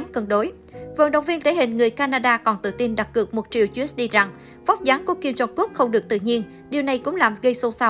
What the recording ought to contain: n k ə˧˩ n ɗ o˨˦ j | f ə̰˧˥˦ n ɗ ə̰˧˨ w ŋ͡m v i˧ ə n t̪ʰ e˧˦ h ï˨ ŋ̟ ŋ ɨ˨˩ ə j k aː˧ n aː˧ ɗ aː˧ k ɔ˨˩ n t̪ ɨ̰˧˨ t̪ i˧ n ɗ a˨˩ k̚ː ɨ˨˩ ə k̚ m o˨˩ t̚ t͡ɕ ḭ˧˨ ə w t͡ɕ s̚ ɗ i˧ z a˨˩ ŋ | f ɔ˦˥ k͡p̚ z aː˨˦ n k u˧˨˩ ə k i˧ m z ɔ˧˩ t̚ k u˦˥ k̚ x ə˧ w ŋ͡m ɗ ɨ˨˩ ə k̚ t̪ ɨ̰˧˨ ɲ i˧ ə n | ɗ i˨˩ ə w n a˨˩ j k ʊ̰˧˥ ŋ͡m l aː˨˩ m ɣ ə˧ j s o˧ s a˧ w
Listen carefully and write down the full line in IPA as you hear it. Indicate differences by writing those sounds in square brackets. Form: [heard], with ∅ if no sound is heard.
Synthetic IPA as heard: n k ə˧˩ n ɗ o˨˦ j | [v] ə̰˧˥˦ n ɗ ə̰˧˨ w ŋ͡m v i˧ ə n t̪ʰ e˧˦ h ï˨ ŋ̟ ŋ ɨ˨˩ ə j k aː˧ n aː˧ ɗ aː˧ k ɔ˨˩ n t̪ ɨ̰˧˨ t̪ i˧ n ɗ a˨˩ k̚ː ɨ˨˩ ə k̚ m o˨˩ t̚ t͡ɕ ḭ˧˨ ə w t͡ɕ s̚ ɗ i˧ z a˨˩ ŋ | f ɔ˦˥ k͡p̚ z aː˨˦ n k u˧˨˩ ə k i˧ m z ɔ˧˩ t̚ k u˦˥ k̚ x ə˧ w ŋ͡m ɗ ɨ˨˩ ə k̚ t̪ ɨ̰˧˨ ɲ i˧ ə n | ɗ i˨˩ ə w n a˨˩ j k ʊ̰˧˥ ŋ͡m l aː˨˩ m ɣ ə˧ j s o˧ s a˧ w